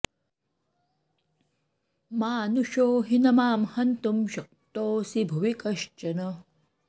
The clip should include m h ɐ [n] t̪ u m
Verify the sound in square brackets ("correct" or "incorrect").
correct